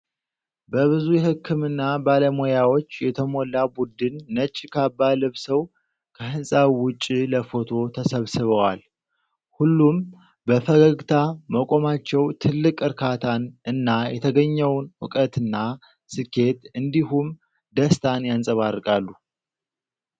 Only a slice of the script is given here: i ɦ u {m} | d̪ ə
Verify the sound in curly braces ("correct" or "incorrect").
correct